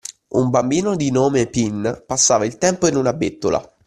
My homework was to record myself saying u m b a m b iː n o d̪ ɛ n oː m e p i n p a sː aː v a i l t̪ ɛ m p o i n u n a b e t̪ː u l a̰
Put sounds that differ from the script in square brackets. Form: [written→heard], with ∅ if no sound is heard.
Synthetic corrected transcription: u m b a m b iː n o d̪ [ɛ→i] n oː m e p i n p a sː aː v a i l t̪ ɛ m p o i n u n a b e t̪ː [u→o] l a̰